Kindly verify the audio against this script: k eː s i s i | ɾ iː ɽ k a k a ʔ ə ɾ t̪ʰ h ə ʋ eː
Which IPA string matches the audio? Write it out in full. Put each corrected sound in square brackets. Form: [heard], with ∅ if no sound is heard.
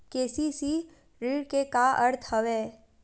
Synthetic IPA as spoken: k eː s i s i | ɾ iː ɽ k [e] k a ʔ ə ɾ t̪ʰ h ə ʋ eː